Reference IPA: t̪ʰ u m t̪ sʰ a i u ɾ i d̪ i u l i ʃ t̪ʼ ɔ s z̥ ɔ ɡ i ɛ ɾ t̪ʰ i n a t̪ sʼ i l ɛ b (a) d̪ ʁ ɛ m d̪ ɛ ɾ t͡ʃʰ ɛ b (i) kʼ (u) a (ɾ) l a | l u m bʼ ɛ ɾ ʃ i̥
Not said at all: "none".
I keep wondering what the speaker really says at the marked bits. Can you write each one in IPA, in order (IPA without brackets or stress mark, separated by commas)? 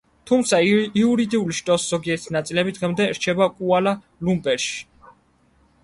i, a, u, none